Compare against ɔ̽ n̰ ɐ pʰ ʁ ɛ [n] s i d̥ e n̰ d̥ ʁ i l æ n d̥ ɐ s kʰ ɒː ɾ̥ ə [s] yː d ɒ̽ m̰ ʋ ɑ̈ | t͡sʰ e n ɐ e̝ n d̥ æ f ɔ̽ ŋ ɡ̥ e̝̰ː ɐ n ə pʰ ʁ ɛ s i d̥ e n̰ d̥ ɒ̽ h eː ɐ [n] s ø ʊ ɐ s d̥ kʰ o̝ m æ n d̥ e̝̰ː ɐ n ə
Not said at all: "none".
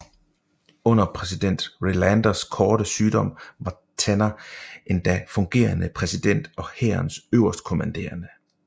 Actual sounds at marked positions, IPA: none, s, n

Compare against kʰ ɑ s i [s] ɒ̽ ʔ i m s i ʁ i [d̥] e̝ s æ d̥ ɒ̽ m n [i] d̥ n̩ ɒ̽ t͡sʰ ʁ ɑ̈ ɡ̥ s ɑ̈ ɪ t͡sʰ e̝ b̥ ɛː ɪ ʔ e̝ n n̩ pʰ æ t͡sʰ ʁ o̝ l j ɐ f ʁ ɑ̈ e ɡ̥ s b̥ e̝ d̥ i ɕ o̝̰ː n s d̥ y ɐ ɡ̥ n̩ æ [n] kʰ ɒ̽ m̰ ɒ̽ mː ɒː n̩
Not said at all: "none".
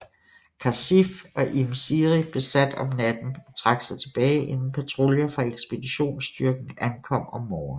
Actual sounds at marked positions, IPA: f, b̥, æ, n

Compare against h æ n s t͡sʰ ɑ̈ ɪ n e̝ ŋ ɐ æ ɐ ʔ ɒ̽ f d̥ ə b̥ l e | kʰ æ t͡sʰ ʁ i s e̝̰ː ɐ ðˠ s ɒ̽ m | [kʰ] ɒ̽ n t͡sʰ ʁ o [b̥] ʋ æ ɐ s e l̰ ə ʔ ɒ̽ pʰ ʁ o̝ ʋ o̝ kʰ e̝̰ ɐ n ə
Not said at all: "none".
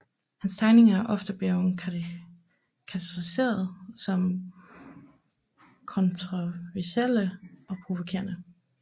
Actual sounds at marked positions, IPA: kʰ, none

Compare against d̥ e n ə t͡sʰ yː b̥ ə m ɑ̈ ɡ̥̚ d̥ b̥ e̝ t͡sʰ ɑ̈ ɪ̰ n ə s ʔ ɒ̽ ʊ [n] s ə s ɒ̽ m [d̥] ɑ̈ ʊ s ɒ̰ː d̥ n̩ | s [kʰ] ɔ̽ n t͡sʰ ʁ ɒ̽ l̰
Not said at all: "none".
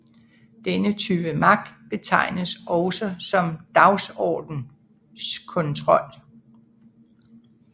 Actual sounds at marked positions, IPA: none, d̥, kʰ

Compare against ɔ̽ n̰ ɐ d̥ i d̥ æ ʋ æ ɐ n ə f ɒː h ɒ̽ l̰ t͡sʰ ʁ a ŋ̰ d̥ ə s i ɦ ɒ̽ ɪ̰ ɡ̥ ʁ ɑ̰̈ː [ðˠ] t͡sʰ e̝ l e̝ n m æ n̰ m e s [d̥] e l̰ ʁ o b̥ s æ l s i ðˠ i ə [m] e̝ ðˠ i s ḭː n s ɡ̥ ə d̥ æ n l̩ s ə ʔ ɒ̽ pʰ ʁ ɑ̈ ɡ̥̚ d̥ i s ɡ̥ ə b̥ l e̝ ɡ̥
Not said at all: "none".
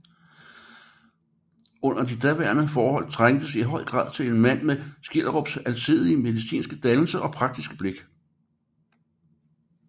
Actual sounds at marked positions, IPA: ðˠ, ɡ̥, m

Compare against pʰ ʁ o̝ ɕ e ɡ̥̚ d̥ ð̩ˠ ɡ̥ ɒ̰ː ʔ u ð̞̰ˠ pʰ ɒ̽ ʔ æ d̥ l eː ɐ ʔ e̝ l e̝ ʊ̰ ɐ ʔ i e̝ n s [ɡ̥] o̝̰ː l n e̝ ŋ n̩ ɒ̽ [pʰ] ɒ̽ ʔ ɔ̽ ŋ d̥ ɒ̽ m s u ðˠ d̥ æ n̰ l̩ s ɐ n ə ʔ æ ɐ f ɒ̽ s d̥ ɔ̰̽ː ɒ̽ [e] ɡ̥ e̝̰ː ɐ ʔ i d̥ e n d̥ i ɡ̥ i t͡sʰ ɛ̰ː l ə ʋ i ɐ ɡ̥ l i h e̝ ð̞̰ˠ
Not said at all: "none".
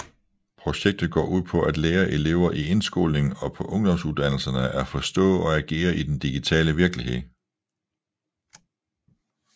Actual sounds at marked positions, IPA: ɡ̥, pʰ, æ

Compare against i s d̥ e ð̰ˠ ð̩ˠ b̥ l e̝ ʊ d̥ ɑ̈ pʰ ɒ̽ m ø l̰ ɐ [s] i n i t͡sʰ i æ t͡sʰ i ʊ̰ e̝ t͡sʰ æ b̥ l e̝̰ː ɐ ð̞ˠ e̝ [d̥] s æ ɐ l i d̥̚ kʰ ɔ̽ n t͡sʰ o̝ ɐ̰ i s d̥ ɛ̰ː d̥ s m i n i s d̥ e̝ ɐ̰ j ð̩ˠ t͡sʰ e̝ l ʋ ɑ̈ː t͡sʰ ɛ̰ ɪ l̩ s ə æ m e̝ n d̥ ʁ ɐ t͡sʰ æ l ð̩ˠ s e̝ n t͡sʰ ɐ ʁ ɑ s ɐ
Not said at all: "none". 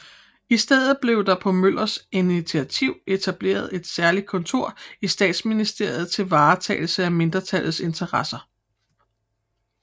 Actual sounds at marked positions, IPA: s, d̥

